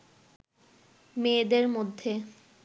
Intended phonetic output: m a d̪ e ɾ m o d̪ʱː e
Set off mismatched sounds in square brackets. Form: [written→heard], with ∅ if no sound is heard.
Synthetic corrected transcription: m [a→e] d̪ e ɾ m o d̪ʱː e